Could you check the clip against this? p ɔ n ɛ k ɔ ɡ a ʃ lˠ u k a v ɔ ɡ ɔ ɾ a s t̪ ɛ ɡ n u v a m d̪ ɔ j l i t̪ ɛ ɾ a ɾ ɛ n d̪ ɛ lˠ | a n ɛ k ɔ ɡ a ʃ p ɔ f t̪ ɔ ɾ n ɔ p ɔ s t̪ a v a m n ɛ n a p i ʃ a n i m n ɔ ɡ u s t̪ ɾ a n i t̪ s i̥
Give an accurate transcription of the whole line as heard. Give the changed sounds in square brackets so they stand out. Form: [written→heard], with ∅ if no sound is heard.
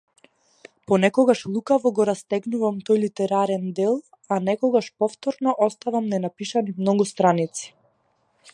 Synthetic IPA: p ɔ n ɛ k ɔ ɡ a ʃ lˠ u k a v ɔ ɡ ɔ ɾ a s t̪ ɛ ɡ n u v a m [d̪→t̪] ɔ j l i t̪ ɛ ɾ a ɾ ɛ n d̪ ɛ lˠ | a n ɛ k ɔ ɡ a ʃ p ɔ f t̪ ɔ ɾ n ɔ [p→ʔ] ɔ s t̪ a v a m n ɛ n a p i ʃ a n i m n ɔ ɡ u s t̪ ɾ a n i t̪ s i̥